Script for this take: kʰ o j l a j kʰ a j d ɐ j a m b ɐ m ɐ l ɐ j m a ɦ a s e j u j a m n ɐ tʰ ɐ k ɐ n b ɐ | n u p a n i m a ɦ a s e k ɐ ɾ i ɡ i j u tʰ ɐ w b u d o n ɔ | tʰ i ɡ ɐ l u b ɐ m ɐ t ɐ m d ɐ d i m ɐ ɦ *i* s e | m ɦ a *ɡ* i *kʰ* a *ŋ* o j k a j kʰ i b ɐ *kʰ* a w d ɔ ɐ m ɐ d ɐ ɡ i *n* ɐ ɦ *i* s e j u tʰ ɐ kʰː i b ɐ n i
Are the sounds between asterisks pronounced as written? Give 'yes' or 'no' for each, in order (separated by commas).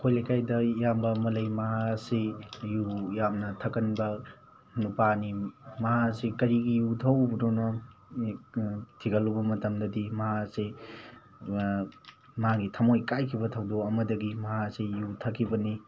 no, yes, no, no, no, no, no